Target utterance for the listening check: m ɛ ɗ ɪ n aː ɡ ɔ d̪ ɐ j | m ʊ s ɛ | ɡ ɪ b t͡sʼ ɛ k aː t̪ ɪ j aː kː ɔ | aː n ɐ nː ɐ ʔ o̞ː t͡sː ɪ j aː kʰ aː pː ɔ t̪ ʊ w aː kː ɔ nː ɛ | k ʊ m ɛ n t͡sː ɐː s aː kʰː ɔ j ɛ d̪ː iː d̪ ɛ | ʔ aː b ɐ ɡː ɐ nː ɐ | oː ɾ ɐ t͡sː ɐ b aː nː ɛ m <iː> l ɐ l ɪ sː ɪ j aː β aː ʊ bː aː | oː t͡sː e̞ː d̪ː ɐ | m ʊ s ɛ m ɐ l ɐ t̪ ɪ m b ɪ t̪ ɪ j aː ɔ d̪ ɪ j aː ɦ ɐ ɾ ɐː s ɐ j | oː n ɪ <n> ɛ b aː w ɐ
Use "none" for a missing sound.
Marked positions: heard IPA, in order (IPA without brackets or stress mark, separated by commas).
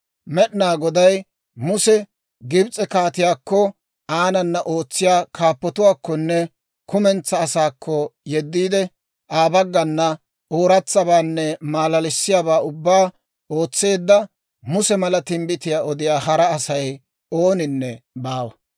aː, nː